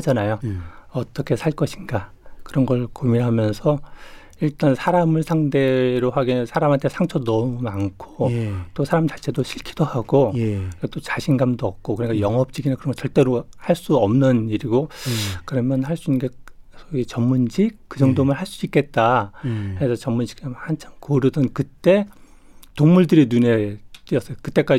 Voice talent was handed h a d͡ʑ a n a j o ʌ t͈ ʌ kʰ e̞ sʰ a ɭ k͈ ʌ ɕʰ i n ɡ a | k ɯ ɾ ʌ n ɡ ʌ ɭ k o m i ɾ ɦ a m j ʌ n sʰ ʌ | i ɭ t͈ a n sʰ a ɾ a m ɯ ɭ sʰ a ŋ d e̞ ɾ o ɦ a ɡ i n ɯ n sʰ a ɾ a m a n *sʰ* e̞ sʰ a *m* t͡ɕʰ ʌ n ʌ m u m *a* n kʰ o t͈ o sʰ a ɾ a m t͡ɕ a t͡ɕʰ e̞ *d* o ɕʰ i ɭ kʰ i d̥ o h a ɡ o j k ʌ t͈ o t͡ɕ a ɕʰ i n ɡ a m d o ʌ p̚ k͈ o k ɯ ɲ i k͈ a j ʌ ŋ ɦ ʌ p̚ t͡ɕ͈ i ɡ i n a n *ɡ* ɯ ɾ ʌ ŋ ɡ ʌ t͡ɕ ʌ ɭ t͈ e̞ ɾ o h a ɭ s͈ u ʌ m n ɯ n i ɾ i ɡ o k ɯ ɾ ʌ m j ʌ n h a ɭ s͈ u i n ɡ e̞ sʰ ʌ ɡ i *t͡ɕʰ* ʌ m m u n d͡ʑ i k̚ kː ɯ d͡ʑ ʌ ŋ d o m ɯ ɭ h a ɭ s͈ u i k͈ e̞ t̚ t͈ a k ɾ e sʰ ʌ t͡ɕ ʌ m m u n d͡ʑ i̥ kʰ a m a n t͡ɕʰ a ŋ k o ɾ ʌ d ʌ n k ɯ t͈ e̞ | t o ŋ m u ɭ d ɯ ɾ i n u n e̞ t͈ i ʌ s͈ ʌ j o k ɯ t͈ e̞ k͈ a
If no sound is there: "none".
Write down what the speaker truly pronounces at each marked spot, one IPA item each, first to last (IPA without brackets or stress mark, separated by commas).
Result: tʰ, ŋ, a, d, k, t͡ɕ